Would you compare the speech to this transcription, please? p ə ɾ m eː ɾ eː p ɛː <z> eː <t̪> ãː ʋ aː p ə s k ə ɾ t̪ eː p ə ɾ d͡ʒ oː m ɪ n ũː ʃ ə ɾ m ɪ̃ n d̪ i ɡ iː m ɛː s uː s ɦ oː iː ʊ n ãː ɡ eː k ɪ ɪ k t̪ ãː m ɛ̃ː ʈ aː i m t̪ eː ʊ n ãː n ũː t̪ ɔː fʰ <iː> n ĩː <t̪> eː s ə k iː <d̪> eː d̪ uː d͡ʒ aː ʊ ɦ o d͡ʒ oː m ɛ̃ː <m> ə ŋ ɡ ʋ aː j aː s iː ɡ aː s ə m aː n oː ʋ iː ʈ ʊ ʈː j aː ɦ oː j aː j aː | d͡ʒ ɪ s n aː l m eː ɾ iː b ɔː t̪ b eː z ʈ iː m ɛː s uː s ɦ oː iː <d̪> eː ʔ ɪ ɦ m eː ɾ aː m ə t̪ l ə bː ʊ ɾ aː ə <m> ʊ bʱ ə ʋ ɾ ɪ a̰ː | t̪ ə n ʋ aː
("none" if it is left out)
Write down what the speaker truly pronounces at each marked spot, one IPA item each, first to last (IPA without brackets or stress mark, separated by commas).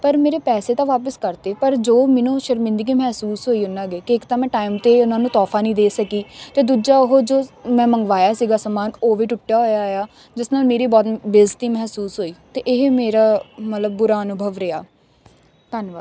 s, t̪, aː, d̪, t̪, m, t̪, n